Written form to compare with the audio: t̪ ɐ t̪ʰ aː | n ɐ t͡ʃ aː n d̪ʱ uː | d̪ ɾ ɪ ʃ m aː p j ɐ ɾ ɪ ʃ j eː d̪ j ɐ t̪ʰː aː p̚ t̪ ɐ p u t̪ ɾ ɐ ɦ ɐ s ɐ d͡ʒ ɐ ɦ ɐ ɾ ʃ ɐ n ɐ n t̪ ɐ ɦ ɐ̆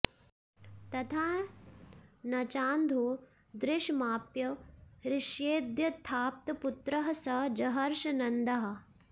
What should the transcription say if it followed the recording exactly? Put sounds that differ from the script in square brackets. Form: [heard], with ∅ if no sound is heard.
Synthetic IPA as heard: t̪ ɐ t̪ʰ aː | n ɐ t͡ʃ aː n d̪ʱ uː | d̪ ɾ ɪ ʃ m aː p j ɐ ɾ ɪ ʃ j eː d̪ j ɐ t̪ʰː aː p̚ t̪ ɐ p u t̪ ɾ ɐ ɦ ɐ s ɐ d͡ʒ ɐ ɦ ɐ ɾ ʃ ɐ n ɐ n [d̪] ɐ ɦ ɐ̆